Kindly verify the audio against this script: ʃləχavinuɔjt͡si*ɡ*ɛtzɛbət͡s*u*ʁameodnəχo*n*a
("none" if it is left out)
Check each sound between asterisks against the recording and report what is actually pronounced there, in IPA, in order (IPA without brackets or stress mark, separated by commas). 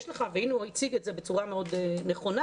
ɡ, u, n